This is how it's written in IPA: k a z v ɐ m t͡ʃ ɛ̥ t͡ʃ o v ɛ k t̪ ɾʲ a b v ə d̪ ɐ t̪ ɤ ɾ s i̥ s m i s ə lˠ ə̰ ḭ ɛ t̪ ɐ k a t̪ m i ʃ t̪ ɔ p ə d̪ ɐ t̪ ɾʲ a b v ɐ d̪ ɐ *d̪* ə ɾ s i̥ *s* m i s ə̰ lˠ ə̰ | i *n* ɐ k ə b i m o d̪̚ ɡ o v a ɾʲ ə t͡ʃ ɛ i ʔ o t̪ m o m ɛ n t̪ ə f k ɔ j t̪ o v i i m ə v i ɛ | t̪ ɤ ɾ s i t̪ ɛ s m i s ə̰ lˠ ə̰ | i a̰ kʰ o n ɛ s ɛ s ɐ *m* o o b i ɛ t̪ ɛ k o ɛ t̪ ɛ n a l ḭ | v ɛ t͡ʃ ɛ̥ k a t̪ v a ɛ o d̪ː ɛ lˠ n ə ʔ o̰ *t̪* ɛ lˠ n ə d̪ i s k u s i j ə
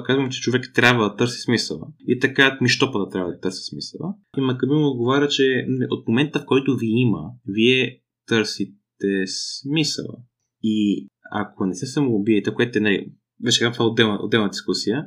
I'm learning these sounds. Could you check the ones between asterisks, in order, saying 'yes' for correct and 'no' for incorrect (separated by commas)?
no, yes, no, yes, no